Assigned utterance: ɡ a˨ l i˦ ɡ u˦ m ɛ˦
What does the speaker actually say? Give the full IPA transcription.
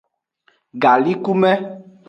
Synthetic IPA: ɡ a˨ l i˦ k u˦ m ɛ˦